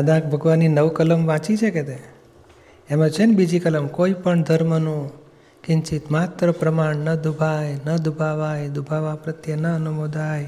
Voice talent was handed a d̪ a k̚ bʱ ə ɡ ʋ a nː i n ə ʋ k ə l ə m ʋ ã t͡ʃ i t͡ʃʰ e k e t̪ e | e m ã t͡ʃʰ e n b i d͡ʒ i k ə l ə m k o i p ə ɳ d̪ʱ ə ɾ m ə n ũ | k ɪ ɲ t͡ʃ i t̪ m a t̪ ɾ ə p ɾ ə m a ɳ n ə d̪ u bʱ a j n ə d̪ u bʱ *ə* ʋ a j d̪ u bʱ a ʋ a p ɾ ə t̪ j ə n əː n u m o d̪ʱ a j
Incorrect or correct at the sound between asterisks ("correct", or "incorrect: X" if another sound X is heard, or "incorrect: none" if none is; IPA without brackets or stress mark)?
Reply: incorrect: a